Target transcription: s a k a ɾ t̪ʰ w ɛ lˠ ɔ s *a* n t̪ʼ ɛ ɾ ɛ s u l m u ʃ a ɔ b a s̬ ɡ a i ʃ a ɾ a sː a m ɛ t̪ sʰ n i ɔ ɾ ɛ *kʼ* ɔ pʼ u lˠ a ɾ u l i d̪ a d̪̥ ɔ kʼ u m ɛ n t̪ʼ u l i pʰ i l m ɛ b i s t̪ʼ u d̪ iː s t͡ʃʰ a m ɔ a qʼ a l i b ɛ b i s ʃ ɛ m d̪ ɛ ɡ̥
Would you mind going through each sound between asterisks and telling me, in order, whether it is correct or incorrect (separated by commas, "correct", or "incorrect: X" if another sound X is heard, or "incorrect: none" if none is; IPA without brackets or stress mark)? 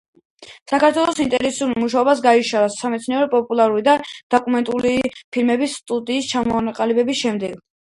incorrect: i, incorrect: pʼ